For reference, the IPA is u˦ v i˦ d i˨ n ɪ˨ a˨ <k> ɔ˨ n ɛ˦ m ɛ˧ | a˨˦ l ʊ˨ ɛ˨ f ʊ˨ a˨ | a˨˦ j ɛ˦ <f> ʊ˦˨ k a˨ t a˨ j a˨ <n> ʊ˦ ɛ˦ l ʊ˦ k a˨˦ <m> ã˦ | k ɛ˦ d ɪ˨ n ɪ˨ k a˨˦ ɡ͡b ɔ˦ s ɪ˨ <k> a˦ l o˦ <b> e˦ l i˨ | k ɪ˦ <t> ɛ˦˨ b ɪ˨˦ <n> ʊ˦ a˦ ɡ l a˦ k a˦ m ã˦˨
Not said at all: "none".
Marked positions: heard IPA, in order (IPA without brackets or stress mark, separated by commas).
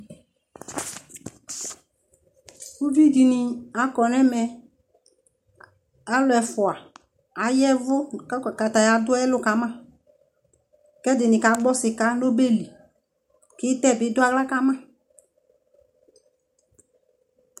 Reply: k, v, d, m, k, b, t, d